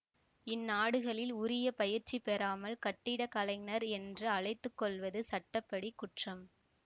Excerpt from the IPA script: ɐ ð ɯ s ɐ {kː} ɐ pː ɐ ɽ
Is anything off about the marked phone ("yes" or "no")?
yes